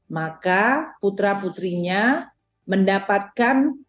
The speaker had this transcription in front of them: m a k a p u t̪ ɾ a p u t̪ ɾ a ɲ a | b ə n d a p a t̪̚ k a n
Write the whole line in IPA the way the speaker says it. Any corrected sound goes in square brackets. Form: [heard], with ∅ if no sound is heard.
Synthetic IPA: m a k a p u t̪ ɾ a p u t̪ ɾ [i] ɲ a | [m] ə n d a p a t̪̚ k a n